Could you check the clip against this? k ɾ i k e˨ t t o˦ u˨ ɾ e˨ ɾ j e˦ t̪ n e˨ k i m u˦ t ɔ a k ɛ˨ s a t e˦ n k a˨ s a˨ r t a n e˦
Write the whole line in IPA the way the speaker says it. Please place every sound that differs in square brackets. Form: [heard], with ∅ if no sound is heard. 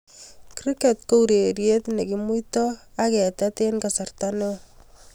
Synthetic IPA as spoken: k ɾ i k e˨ t [k] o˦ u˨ ɾ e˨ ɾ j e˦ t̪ n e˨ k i m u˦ t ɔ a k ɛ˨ [t] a t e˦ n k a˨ s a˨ r t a n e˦

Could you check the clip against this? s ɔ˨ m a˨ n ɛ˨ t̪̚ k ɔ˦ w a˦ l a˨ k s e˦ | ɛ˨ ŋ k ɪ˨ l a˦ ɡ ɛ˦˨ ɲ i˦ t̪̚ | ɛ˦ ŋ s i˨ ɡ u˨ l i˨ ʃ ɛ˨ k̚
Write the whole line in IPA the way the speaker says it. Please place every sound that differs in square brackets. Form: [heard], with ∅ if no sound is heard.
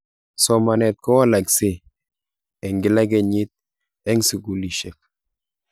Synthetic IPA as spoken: s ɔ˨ m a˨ n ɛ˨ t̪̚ k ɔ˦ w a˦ l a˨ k s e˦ | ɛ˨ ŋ [ɡ] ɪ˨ l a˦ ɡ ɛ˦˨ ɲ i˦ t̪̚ | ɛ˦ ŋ s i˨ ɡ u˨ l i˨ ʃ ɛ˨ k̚

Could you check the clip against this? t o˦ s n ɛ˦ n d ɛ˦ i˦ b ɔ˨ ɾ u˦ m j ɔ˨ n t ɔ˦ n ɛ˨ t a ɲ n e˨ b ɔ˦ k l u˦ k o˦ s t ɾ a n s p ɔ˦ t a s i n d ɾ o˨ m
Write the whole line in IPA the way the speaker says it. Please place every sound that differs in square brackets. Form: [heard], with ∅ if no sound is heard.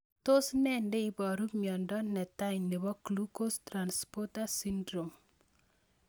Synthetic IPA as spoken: t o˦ s n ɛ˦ n d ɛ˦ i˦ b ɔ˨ ɾ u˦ m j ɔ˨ n [d] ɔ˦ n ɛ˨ t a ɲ n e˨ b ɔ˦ k l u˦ k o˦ s t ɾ a n s p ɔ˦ t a s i n d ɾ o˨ m

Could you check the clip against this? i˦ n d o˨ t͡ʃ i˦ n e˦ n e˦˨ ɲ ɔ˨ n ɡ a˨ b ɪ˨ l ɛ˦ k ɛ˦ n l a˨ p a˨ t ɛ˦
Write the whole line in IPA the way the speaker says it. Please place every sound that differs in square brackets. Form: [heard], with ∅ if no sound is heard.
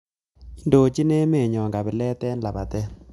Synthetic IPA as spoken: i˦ n d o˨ t͡ʃ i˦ n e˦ [m] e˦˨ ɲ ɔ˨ [ŋ] ɡ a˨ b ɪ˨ l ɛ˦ [t] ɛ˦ n l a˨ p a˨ t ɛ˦

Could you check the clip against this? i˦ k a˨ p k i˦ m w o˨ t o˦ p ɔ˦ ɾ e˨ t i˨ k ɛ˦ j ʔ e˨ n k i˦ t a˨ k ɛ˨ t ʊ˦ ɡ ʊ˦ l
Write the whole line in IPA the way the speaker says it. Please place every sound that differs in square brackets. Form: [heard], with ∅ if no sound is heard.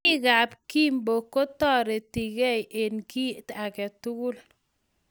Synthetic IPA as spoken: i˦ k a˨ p k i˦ m [b] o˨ [k] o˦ [t] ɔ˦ ɾ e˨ t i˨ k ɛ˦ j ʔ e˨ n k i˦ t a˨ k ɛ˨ t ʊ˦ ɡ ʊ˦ l

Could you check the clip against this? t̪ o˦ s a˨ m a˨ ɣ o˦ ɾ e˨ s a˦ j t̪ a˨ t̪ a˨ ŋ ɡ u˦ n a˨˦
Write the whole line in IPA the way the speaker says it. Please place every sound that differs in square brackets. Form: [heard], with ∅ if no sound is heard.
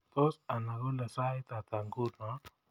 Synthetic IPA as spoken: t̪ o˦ s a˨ [n] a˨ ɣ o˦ [l] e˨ s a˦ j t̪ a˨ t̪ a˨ ŋ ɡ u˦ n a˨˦

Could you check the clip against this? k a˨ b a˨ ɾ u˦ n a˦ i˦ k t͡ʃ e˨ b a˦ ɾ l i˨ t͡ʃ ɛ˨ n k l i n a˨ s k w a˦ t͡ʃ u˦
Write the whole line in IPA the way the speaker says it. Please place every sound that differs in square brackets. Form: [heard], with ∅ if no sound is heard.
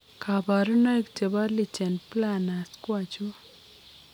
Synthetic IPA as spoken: k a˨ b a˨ ɾ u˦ n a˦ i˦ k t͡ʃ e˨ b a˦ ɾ l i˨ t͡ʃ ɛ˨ n [p] l [a] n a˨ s k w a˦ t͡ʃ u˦

